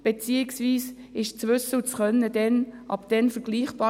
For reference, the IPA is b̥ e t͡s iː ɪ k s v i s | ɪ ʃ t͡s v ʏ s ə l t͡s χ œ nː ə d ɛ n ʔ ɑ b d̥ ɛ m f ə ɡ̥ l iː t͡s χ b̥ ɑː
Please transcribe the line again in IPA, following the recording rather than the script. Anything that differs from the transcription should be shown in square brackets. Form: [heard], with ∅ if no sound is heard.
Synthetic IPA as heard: b̥ e t͡s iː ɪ k s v [iː] s | ɪ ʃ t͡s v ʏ s ə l t͡s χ œ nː ə d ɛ n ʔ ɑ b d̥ ɛ [n] f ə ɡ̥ l iː [∅] χ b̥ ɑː